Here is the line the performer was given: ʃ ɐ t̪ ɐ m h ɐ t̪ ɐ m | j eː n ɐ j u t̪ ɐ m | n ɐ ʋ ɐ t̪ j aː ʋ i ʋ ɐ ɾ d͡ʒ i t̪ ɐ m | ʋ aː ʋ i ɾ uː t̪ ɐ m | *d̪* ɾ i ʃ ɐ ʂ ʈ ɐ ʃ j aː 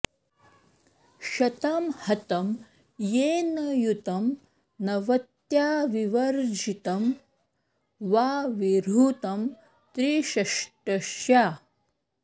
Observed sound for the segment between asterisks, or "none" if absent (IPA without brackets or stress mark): t̪